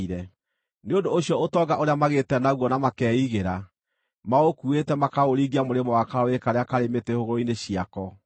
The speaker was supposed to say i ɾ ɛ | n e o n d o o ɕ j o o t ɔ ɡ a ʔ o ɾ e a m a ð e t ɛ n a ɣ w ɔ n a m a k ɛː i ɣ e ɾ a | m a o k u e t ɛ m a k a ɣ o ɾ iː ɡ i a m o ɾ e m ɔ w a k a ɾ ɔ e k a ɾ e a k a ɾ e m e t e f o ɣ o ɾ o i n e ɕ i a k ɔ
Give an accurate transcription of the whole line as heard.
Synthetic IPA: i ɾ ɛ | n e o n d o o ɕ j ɔ o t ɔ ɡ a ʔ o ɾ e a m a ɣ e t ɛ n a ɣ w ɔ n a m a k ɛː i ɣ e ɾ a | m a o k u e t ɛ m a k a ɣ o ɾ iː ɡ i a m o ɾ e m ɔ w a k a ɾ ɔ e k a ɾ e a k a ɾ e m e t e h o ɣ o ɾ o i n e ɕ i a k ɔ